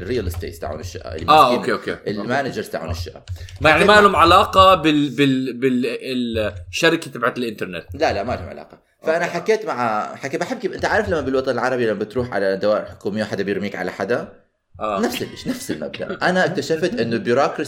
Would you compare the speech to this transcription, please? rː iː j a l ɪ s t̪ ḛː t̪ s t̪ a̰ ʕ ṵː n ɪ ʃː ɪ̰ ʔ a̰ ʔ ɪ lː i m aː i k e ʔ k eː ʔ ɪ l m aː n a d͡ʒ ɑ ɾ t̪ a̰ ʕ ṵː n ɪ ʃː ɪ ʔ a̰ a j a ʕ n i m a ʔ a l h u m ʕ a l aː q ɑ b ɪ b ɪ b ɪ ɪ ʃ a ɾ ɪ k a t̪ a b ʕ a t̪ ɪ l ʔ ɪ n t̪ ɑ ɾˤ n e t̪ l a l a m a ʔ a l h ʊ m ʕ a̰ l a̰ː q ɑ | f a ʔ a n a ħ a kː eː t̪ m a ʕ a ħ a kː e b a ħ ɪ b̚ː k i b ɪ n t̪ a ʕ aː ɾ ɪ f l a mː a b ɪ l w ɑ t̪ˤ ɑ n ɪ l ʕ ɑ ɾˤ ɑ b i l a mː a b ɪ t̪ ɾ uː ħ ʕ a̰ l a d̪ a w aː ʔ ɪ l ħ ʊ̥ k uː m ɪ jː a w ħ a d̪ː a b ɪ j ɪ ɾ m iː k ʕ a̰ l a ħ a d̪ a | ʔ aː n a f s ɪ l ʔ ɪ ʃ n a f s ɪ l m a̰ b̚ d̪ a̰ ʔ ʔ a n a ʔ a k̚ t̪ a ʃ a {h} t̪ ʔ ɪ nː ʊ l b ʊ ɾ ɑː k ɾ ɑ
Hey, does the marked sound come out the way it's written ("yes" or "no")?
no